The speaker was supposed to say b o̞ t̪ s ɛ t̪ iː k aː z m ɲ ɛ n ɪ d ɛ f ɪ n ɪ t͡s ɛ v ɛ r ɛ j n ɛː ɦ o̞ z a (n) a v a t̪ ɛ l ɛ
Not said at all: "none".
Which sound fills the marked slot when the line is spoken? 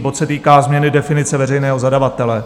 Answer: d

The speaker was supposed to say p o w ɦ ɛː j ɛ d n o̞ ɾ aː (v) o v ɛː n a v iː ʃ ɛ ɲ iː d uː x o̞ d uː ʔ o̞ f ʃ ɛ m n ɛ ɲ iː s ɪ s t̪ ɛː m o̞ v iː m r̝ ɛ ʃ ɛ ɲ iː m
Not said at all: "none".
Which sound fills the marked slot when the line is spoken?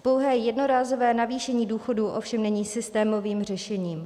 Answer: z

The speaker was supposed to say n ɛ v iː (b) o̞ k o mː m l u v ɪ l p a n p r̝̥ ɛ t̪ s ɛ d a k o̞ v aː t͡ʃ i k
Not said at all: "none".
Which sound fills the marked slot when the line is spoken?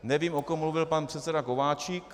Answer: m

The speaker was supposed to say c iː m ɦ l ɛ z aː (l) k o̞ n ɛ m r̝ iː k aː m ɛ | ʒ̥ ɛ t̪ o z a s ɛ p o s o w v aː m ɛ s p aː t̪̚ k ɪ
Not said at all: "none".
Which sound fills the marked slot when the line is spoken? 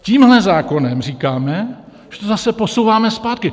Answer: none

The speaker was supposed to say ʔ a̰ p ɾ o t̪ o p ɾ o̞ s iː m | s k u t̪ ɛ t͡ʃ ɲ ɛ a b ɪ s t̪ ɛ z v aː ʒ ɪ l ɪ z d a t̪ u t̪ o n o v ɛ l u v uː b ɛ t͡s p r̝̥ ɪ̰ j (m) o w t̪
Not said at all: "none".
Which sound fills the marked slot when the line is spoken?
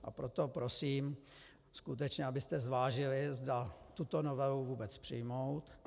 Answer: m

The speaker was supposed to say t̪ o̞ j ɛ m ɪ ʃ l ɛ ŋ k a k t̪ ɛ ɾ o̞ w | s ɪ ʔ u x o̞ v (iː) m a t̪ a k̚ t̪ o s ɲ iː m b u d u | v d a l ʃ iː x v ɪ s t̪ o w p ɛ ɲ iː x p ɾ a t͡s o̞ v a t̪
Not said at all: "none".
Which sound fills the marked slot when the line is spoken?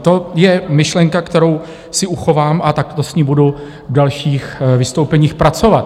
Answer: aː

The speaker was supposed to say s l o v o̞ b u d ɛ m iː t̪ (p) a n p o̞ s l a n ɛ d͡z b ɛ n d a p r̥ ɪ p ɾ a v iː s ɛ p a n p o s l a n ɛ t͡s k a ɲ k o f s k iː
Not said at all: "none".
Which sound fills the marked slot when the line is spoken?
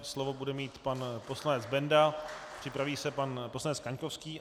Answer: p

